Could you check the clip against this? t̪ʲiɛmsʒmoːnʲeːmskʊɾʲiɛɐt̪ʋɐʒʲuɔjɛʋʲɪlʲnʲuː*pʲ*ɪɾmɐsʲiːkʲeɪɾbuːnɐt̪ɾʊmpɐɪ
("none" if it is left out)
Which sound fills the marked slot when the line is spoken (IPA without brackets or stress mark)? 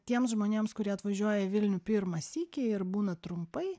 pʲ